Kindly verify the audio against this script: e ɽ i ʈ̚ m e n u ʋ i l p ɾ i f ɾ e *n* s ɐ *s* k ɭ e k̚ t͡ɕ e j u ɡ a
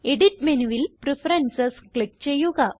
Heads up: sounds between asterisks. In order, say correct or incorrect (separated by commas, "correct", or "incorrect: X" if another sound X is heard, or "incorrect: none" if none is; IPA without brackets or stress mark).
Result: correct, correct